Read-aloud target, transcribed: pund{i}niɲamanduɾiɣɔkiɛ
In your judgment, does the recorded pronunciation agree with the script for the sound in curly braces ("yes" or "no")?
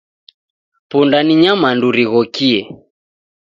no